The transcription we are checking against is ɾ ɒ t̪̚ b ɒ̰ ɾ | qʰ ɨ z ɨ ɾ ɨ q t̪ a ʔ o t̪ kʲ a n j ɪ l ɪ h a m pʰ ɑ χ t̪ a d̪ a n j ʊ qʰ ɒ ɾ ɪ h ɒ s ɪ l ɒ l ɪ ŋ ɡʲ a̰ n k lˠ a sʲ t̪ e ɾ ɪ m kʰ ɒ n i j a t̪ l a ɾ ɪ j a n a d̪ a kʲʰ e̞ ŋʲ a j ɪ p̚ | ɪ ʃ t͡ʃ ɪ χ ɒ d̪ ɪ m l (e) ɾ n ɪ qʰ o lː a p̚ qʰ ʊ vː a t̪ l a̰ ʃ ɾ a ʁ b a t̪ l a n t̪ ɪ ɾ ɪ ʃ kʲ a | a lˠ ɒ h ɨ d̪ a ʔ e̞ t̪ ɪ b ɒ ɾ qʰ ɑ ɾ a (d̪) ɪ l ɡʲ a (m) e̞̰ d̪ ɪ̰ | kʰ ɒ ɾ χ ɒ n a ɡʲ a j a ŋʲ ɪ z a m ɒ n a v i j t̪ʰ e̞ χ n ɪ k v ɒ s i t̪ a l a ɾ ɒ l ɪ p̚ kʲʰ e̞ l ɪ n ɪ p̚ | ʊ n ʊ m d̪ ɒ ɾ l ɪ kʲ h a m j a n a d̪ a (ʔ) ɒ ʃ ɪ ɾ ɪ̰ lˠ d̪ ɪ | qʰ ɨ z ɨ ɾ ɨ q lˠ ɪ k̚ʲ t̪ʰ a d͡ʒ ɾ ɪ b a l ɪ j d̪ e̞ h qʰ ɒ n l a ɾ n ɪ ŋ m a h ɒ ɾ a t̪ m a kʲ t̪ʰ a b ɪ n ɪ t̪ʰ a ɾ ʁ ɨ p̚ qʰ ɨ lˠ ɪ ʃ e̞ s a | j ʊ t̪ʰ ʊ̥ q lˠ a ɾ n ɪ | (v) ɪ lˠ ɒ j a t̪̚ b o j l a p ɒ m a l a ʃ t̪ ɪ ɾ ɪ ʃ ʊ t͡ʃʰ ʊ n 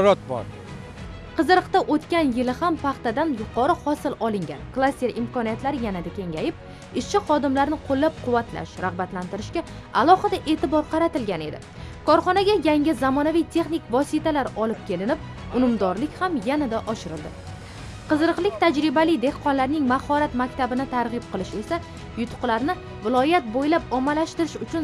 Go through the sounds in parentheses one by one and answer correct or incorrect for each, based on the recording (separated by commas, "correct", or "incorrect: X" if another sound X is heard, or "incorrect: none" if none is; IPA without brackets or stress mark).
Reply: incorrect: a, incorrect: t̪, incorrect: n, correct, correct